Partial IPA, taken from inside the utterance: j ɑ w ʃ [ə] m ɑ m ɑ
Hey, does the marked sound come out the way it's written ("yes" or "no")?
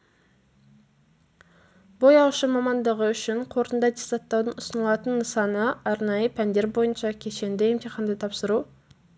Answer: yes